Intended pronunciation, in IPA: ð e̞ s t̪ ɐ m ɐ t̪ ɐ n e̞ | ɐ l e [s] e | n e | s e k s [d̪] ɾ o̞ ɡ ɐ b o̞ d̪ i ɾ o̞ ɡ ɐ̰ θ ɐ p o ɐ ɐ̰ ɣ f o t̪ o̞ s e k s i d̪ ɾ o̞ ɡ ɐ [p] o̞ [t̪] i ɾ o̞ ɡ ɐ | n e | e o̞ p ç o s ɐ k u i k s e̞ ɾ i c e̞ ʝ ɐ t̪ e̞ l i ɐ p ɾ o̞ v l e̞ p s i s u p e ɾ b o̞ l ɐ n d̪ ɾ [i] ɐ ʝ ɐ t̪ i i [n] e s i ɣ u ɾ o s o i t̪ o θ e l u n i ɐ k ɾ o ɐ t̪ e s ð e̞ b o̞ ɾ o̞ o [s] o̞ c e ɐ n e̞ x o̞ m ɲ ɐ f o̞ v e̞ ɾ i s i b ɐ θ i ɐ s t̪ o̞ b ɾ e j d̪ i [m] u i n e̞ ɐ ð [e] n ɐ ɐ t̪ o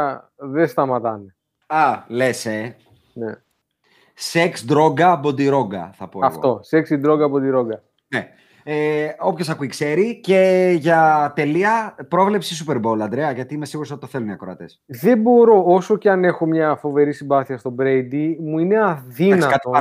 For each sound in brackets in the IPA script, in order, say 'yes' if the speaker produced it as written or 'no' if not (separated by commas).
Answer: yes, yes, no, no, no, no, yes, yes, no